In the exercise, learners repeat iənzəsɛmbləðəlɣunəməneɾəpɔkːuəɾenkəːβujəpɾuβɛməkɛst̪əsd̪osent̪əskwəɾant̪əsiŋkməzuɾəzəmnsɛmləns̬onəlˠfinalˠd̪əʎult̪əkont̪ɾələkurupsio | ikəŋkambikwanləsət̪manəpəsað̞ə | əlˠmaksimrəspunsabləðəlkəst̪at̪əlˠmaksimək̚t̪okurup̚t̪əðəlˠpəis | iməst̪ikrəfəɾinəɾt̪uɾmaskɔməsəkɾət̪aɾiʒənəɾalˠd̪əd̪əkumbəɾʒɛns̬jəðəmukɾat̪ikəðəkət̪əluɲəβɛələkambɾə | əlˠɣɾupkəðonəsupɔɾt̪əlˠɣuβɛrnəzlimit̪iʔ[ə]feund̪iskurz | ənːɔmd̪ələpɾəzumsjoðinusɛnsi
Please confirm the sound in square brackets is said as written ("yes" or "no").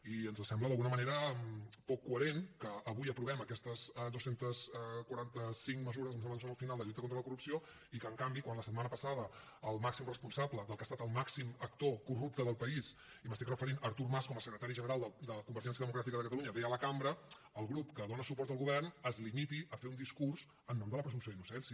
yes